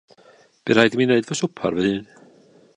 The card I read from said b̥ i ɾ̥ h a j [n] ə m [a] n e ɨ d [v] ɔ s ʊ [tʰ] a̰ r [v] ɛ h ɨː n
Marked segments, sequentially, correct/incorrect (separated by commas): incorrect, incorrect, correct, incorrect, correct